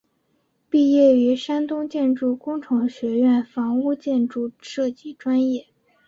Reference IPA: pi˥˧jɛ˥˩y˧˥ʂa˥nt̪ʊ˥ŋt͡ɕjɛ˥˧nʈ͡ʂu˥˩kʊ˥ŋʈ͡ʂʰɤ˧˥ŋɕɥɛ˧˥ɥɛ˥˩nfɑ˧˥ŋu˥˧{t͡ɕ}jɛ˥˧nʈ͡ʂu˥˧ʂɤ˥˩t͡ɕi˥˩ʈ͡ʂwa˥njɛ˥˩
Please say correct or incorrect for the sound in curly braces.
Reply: correct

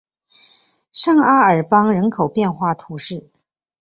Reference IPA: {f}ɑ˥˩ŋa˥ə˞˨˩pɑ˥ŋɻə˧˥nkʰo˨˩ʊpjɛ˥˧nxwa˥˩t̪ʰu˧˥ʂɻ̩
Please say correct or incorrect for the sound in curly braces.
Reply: incorrect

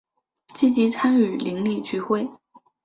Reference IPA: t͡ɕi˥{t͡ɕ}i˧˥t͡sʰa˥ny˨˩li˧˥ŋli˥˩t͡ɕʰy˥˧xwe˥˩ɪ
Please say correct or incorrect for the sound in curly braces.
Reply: correct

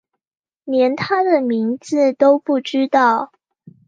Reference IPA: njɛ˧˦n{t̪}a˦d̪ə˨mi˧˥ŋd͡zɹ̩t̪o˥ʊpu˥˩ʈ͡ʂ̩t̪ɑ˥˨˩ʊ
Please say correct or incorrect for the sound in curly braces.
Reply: incorrect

